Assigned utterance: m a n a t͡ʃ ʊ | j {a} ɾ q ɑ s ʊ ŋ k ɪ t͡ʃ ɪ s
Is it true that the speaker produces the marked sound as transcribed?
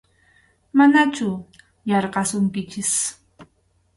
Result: no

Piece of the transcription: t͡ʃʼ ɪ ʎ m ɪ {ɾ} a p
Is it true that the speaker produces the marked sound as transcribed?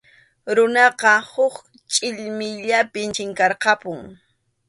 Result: no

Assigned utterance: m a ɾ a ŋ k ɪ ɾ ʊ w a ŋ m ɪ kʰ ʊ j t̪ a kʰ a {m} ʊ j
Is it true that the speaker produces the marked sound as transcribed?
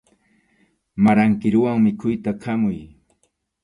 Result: yes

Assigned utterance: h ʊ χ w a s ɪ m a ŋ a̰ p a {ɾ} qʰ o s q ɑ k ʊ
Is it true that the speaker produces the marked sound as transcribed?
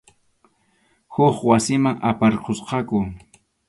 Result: yes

